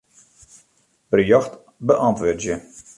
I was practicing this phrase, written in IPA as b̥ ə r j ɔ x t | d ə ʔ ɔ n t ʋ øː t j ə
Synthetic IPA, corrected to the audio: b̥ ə r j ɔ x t | b ə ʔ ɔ n t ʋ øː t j ə